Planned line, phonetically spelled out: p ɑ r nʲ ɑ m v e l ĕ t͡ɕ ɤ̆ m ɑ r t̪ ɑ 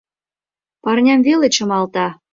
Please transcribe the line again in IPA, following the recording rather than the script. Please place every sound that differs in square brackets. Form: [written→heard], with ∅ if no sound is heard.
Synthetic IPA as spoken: p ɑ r nʲ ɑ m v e l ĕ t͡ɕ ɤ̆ m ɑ [r→l] t̪ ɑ